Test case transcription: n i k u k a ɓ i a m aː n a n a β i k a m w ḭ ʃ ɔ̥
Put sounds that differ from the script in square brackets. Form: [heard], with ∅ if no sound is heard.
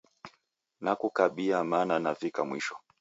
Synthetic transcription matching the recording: n [a] k u k a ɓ i a m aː n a n a [v] i k a m w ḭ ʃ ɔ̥